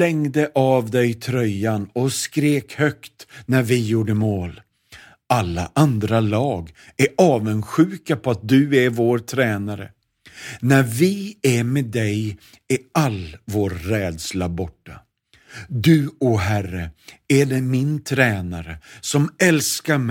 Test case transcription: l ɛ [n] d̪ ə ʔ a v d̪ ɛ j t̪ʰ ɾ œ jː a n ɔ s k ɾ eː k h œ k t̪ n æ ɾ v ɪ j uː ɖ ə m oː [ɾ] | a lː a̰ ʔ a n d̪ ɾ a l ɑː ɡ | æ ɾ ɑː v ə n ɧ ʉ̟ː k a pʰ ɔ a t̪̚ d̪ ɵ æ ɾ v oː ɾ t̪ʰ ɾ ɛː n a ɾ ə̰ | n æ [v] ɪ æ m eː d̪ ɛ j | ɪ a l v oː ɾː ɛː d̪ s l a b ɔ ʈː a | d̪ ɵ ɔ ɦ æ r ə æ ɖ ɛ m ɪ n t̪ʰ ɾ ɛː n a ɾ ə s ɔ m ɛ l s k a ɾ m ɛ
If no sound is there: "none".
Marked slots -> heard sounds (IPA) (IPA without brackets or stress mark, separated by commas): ŋ, l, v